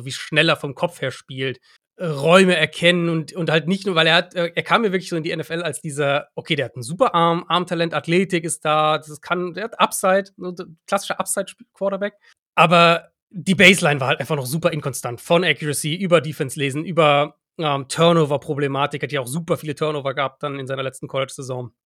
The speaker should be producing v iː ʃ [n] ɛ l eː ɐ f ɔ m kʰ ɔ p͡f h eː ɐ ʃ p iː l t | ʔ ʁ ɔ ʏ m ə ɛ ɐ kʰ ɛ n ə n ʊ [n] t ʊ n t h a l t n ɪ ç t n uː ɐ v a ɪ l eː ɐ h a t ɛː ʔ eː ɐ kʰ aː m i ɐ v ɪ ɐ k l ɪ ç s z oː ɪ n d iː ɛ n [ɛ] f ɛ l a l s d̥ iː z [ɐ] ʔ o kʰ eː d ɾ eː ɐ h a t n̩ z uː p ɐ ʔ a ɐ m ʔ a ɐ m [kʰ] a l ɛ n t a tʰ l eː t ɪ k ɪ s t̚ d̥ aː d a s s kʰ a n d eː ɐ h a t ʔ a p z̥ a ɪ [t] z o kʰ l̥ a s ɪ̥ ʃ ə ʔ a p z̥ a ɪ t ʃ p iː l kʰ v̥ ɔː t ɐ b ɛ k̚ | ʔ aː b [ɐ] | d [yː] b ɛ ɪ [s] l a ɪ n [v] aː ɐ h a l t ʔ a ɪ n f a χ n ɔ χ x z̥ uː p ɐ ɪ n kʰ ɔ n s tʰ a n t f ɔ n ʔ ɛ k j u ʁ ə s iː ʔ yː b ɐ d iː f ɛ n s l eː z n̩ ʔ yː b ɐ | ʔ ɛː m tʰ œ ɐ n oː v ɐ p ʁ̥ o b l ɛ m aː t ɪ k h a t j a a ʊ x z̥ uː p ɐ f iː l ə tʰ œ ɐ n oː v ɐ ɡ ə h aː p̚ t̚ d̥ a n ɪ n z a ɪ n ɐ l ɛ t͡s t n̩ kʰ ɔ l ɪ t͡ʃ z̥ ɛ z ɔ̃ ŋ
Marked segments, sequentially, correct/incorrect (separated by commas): correct, correct, correct, correct, incorrect, correct, correct, incorrect, correct, correct